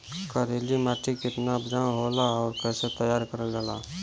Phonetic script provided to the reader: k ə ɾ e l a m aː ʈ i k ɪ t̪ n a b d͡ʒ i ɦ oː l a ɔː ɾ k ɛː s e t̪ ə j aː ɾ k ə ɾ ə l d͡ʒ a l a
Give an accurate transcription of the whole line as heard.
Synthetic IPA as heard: k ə ɾ e l i m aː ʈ i k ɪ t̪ n a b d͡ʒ a ɦ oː l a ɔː ɾ k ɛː s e t̪ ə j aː ɾ k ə ɾ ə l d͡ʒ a l a